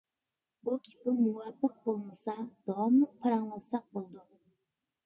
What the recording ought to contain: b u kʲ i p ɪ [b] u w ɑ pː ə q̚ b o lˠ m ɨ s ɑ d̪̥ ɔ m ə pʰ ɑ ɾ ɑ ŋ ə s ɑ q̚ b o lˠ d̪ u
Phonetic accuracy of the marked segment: incorrect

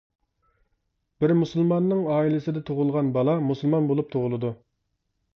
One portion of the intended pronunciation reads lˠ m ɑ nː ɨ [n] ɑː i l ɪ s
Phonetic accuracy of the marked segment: incorrect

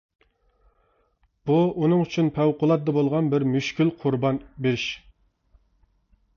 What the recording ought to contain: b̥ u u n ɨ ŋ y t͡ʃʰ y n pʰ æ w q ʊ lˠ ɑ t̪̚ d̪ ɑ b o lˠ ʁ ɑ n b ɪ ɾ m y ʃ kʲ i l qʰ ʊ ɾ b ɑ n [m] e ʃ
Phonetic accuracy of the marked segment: incorrect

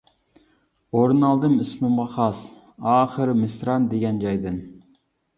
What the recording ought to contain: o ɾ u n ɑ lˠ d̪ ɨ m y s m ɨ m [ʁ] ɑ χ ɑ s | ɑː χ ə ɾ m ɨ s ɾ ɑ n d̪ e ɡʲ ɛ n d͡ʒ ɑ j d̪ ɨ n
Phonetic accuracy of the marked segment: correct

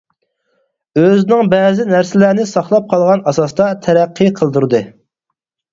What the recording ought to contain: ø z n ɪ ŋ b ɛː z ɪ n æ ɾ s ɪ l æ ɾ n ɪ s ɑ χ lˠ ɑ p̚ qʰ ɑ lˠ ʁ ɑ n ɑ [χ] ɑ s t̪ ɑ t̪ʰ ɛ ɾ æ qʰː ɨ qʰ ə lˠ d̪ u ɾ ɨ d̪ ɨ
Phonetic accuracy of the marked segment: incorrect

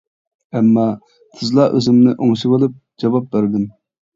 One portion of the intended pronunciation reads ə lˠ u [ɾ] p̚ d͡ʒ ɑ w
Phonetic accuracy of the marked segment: incorrect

